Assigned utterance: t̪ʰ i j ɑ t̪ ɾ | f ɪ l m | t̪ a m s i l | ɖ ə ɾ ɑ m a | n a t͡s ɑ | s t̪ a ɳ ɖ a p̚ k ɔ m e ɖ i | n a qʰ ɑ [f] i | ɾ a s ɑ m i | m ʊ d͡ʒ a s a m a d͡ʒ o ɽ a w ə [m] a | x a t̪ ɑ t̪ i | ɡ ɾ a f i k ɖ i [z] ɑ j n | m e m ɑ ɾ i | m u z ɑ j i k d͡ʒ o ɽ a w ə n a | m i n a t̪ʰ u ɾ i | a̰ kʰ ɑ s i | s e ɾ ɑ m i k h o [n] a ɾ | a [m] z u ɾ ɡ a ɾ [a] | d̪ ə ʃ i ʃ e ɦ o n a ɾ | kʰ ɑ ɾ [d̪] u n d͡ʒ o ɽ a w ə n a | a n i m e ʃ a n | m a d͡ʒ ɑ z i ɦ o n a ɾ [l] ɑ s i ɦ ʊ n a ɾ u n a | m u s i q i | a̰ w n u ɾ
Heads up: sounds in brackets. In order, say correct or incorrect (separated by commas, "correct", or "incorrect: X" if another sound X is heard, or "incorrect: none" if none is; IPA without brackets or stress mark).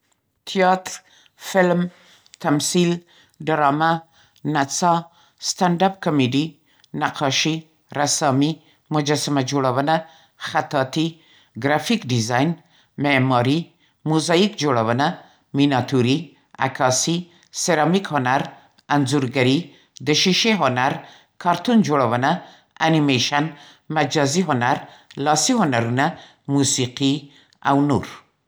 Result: incorrect: ʃ, incorrect: n, correct, correct, incorrect: n, incorrect: i, incorrect: t̪, correct